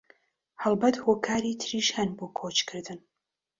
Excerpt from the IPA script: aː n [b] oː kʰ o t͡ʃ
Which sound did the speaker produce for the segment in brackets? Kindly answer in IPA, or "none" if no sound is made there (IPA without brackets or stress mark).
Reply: b